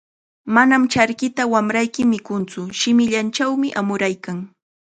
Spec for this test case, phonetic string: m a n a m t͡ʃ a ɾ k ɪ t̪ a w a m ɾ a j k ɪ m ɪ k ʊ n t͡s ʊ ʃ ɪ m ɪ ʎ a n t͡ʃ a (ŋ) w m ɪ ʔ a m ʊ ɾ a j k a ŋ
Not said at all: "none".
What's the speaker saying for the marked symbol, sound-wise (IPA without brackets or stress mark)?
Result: none